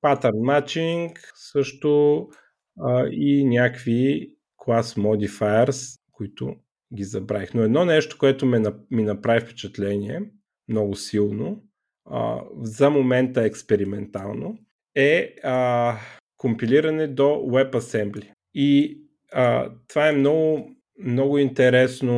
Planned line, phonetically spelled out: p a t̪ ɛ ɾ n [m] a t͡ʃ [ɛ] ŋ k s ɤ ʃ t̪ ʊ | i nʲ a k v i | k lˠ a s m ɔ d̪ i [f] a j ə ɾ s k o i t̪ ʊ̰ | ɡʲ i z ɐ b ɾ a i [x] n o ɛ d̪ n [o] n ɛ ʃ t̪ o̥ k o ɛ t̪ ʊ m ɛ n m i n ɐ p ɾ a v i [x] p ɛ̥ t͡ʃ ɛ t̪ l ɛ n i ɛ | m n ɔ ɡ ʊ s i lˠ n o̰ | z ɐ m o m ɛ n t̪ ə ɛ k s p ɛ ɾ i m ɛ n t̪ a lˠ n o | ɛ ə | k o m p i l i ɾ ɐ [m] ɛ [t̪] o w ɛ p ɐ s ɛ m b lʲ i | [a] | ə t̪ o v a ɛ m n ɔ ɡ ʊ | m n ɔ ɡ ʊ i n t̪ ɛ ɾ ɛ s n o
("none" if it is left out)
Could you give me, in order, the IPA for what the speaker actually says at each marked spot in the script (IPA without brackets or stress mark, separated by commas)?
m, i, f, x, ɔ, f, n, d̪, i